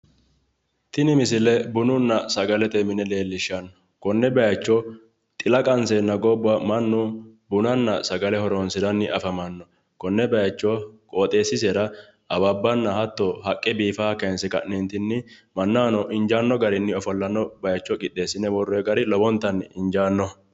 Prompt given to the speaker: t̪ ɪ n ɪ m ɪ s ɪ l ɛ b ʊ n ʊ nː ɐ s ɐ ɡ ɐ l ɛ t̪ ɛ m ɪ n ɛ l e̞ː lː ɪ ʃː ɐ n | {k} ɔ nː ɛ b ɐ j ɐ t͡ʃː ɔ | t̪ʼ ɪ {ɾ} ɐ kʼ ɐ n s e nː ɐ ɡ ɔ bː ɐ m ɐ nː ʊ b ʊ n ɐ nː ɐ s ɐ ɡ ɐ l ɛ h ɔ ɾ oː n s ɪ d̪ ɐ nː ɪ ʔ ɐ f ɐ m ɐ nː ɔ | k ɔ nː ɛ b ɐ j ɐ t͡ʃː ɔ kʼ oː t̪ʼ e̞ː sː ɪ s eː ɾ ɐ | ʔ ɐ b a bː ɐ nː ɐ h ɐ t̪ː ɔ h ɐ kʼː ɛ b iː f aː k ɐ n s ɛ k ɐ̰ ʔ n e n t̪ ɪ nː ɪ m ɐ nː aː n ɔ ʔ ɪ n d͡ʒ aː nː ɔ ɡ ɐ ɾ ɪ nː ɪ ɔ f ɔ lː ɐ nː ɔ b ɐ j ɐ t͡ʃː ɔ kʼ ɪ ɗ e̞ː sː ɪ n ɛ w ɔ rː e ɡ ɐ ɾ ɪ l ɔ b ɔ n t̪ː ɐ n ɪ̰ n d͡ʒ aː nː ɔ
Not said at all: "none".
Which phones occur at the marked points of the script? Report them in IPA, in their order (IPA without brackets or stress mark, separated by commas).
k, l